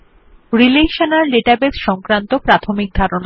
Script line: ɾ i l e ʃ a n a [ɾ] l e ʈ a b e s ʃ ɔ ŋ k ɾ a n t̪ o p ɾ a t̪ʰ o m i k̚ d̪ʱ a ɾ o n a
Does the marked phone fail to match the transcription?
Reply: no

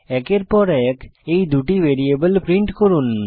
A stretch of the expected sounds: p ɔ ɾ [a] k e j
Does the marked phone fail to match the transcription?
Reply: yes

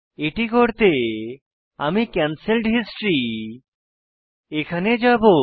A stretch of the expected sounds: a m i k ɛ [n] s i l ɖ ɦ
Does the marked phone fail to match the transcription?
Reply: no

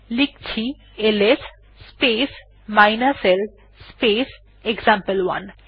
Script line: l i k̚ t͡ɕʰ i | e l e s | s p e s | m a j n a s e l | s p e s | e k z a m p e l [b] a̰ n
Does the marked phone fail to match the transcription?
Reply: yes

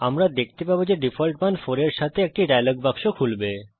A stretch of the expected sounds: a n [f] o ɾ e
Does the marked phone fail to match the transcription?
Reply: no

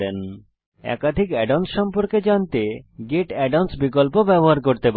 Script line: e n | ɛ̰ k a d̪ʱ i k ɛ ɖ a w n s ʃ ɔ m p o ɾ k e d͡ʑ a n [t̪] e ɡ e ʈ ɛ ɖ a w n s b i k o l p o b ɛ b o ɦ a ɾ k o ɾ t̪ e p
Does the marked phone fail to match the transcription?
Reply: no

